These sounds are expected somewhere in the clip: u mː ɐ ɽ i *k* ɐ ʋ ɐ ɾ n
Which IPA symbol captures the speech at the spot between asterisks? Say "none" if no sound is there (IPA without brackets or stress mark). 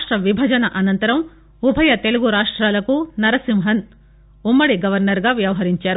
ɡ